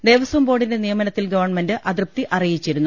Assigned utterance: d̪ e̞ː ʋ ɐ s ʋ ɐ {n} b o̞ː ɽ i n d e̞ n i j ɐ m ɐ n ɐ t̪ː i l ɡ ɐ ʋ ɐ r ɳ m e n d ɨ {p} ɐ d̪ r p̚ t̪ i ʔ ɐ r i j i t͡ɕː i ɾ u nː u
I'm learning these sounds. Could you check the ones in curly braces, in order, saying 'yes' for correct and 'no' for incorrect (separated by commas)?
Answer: no, no